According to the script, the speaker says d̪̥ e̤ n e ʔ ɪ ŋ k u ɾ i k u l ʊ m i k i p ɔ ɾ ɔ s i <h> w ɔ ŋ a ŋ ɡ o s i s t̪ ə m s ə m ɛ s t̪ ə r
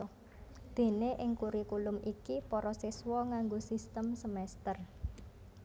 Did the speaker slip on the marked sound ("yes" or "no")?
yes